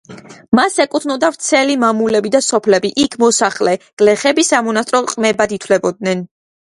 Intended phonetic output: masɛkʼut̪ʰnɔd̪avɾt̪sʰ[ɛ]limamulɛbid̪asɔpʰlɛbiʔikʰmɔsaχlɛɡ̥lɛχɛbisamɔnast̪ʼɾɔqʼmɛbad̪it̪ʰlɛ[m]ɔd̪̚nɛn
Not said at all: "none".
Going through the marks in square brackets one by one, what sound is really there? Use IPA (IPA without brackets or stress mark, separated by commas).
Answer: ɛ, b